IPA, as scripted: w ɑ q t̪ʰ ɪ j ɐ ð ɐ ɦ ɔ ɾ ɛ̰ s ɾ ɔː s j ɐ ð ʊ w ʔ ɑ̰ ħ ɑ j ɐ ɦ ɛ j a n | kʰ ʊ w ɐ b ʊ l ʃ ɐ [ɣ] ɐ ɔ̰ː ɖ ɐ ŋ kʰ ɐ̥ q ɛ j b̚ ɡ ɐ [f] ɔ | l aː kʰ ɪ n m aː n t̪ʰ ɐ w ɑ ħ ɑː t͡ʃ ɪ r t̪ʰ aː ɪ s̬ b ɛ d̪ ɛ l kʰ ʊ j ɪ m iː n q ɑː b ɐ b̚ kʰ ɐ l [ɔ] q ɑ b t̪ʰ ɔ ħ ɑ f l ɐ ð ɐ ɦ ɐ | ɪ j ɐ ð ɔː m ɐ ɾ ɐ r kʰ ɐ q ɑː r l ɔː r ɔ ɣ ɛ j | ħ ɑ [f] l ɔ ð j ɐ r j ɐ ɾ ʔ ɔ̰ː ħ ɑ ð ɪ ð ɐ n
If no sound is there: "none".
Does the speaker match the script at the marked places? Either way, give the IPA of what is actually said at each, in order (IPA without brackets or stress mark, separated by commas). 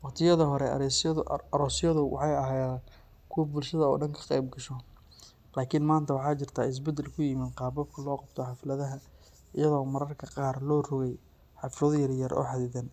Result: ð, ʃ, ɔː, f